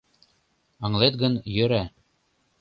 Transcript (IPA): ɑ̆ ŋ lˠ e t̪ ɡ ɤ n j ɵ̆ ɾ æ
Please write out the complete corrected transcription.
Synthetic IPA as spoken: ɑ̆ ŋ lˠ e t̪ ɡ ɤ n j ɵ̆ ɾ æ